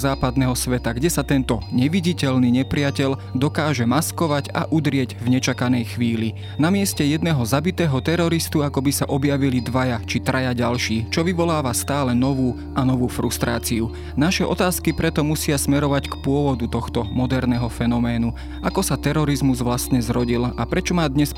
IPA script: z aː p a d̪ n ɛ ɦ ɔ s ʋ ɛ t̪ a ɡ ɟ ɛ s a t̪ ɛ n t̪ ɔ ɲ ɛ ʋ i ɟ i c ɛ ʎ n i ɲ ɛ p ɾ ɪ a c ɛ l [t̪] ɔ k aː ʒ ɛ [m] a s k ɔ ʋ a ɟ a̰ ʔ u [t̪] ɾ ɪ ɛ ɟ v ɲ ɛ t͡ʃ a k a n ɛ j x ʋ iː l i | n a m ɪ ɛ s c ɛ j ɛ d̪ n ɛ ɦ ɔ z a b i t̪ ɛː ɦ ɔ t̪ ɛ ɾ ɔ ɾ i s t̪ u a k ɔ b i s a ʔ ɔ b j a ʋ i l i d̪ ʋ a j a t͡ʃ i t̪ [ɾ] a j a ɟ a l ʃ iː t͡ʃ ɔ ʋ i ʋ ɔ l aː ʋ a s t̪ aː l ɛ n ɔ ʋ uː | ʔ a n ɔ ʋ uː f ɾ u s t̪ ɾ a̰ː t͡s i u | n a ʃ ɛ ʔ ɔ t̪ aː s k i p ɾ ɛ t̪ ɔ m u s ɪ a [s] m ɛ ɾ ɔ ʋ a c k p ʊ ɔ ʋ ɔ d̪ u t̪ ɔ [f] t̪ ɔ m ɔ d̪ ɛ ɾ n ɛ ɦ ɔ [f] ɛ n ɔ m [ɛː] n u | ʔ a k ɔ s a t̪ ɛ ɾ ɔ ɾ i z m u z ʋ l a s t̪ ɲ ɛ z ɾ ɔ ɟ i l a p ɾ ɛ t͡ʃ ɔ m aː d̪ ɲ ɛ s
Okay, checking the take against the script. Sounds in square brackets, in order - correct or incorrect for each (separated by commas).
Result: incorrect, correct, incorrect, correct, correct, incorrect, correct, correct